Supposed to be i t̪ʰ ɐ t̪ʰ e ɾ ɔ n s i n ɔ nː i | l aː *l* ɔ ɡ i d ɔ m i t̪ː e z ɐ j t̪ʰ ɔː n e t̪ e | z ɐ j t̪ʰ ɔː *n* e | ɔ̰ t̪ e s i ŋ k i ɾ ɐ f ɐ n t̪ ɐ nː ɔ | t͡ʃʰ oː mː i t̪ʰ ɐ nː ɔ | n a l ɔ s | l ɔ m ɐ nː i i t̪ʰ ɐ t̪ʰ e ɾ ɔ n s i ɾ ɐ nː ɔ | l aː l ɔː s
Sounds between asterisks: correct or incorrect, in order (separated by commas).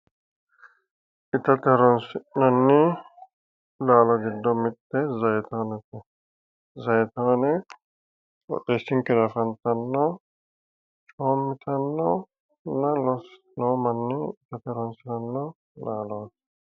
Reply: correct, correct